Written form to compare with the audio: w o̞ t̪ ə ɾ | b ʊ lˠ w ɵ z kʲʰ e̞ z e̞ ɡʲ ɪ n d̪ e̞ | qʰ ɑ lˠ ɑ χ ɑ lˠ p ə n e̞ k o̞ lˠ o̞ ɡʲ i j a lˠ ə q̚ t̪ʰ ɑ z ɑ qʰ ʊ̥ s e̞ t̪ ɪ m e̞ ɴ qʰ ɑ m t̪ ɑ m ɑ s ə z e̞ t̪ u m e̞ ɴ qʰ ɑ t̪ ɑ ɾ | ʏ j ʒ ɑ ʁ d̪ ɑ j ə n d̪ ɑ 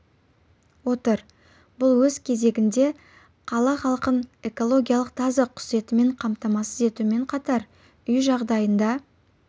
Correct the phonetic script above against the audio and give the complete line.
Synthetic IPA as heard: w o̞ t̪ ə ɾ | b ʊ lˠ w ɵ z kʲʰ e̞ z e̞ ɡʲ ɪ n d̪ e̞ | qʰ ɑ lˠ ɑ χ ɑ lˠ q ə n e̞ k o̞ lˠ o̞ ɡʲ i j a lˠ ə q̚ t̪ʰ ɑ z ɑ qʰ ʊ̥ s e̞ t̪ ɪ m e̞ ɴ qʰ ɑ m t̪ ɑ m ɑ s ə z e̞ t̪ u m e̞ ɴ qʰ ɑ t̪ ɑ ɾ | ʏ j ʒ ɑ ʁ d̪ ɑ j ə n d̪ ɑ

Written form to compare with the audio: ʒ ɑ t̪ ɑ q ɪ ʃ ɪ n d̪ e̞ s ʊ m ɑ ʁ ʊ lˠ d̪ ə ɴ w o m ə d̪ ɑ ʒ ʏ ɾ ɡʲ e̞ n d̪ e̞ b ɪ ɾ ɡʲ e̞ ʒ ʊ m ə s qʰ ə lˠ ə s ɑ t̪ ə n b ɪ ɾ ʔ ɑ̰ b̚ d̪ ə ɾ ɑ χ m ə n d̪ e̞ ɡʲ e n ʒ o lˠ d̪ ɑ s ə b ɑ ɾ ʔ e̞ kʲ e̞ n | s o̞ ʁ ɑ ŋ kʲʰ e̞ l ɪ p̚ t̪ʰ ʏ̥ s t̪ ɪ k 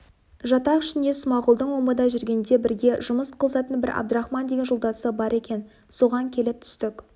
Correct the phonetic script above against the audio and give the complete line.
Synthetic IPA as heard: ʒ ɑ t̪ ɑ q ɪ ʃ ɪ n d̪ e̞ s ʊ m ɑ ʁ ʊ lˠ d̪ ə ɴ w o m ə d̪ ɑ ʒ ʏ ɾ ɡʲ e̞ n d̪ e̞ b ɪ ɾ ɡʲ e̞ ʒ ʊ m ə s qʰ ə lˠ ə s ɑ t̪ ə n b ɪ ɾ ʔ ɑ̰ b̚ d̪ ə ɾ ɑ χ m ɑ n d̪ e̞ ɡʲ e n ʒ o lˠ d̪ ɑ s ə b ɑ ɾ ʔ e̞ kʲ e̞ n | s o̞ ʁ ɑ ŋ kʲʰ e̞ l ɪ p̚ t̪ʰ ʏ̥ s t̪ ɪ k

